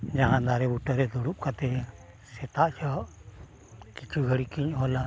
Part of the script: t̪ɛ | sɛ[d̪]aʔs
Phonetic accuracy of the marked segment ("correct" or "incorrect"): incorrect